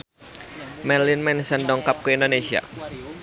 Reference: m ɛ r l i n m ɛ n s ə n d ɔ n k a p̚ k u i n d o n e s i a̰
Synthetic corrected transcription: m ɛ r l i n m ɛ n s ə n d ɔ ŋ k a p̚ k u i n d o n e s i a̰